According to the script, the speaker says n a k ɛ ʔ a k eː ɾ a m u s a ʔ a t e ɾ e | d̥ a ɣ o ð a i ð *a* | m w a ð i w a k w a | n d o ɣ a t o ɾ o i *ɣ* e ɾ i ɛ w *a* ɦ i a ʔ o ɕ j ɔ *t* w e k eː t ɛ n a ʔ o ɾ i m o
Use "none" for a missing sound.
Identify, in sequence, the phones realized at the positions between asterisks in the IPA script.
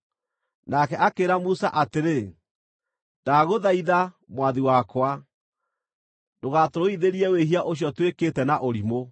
a, ð, e, t

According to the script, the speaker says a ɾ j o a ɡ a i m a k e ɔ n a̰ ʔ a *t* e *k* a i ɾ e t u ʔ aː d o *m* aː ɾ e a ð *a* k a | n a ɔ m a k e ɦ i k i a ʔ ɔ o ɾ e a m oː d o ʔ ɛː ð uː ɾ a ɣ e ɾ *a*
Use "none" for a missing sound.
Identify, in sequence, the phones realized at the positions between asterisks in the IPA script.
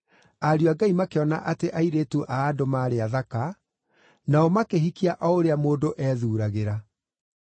t, ʔ, m, a, a

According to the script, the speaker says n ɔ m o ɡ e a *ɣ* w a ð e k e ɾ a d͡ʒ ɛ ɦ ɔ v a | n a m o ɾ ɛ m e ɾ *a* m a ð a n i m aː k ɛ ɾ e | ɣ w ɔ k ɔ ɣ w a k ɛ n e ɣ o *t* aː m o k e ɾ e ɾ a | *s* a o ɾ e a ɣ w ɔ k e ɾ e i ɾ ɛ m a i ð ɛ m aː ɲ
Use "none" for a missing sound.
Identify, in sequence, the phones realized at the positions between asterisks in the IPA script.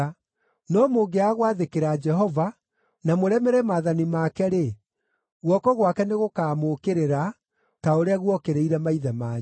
ɣ, ɛ, k, t

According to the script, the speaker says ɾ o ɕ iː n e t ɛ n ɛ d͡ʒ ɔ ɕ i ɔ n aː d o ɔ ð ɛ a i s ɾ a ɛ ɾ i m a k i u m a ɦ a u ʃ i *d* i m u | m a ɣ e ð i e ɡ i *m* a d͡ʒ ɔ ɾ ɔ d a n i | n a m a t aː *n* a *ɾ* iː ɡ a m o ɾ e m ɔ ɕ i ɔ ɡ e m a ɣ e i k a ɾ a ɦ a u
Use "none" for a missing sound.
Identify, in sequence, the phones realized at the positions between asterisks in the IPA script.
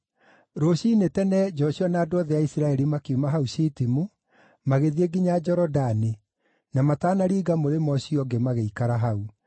t, ɲ, n, ɾ

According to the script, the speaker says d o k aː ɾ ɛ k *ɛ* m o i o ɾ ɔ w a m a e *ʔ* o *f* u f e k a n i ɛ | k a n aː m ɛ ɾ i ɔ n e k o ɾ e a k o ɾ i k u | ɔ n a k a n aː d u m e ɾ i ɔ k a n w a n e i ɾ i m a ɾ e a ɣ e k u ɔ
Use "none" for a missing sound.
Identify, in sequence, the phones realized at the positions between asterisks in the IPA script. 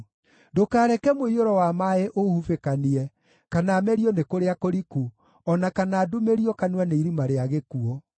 ɛ, ʔ, h

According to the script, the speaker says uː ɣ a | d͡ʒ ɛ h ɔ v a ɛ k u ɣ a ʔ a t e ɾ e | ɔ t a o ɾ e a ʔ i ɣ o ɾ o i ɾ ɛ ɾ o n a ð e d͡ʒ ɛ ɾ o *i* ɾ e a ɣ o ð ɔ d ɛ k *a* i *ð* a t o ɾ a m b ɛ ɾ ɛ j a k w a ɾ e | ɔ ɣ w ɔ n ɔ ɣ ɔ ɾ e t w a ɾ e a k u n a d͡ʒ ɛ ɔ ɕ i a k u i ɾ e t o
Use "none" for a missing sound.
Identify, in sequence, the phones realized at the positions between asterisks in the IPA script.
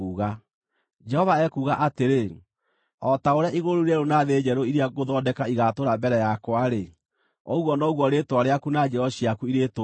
i, a, ɣ

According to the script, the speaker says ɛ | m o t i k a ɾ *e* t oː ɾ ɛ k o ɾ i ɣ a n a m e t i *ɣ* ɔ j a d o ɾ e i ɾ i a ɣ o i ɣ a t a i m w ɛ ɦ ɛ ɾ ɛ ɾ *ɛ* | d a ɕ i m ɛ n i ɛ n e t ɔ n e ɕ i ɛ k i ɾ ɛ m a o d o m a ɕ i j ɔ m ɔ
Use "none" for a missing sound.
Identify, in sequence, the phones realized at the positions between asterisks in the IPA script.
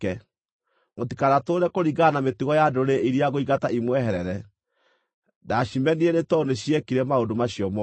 a, ɣ, ɛ

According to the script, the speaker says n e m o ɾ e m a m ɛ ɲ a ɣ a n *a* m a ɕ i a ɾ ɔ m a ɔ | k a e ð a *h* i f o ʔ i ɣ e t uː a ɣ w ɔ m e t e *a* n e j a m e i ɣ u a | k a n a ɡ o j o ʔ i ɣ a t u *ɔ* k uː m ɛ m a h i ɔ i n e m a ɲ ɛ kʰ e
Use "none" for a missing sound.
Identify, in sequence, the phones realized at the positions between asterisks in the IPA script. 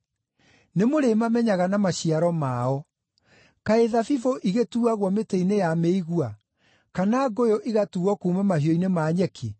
a, f, i, ɔ

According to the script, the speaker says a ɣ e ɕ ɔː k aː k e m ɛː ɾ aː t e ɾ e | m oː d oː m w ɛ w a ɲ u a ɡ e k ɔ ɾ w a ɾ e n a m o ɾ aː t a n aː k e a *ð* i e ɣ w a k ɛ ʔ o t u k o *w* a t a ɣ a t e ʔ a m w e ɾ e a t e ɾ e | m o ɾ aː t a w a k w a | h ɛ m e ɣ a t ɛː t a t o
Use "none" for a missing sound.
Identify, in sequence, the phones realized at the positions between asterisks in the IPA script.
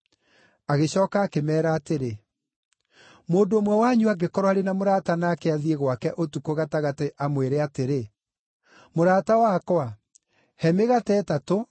ð, ɣ

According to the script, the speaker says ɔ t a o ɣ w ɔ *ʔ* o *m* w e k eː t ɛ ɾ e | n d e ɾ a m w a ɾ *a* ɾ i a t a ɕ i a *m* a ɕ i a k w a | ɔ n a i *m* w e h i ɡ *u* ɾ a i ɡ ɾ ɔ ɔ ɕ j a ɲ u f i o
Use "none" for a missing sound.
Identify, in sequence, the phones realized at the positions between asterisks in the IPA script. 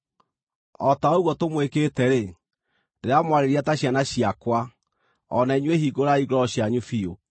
t, m, e, n, ɲ, o

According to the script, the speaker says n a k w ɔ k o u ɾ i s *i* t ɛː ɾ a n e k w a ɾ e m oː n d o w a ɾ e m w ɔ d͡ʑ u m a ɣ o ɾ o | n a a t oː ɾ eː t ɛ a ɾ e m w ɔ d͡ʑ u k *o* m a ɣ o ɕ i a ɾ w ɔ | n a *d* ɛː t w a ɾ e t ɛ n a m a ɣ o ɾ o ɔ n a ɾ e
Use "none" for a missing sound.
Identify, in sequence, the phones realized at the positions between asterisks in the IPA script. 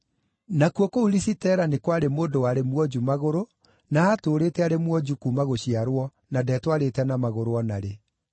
i, u, d

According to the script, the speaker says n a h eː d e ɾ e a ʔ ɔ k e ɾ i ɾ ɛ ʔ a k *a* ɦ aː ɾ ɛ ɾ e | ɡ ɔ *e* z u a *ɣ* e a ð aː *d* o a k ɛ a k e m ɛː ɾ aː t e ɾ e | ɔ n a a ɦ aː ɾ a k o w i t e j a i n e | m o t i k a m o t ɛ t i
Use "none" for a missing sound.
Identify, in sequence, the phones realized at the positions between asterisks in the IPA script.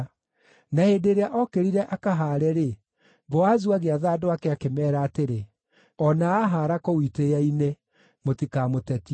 a, a, ɣ, d

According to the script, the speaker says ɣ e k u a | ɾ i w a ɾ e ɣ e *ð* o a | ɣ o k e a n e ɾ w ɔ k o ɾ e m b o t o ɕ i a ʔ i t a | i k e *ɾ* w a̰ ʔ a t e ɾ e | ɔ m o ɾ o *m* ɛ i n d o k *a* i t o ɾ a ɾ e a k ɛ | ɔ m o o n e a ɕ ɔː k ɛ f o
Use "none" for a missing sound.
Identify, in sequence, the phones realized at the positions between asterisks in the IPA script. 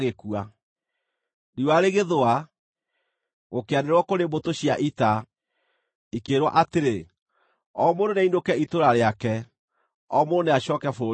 ð, ɾ, n, ɛ

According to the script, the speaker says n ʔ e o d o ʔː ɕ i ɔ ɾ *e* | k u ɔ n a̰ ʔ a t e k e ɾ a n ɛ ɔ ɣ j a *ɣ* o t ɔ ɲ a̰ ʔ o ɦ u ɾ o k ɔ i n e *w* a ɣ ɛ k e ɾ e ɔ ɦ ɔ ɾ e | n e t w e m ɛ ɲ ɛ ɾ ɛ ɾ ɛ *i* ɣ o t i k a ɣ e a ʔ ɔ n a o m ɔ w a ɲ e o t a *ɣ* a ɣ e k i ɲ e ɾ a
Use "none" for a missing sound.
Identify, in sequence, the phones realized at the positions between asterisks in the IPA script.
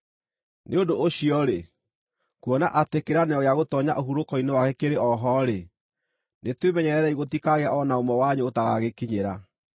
e, ɣ, w, i, ɣ

